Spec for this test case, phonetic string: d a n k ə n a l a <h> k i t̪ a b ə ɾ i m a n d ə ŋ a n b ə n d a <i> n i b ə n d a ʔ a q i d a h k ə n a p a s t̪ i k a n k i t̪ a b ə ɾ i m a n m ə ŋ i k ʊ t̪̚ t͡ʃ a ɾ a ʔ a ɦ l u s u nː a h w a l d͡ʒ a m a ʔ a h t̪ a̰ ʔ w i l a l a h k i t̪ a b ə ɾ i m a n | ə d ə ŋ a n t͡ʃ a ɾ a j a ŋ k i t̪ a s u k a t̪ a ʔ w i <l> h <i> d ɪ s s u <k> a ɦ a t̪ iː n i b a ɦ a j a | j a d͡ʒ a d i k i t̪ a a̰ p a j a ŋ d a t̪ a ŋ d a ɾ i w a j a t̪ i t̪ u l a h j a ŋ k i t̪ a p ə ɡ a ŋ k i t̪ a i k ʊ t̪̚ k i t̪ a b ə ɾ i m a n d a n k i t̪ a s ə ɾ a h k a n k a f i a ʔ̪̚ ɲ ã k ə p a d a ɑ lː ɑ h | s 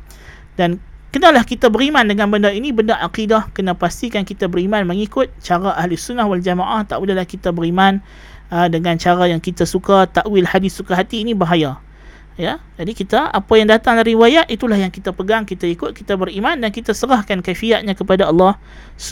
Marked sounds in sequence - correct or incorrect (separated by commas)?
correct, correct, correct, incorrect, correct